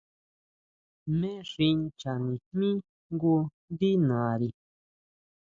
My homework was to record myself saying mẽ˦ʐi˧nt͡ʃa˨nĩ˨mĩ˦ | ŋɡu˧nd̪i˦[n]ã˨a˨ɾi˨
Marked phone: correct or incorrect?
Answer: correct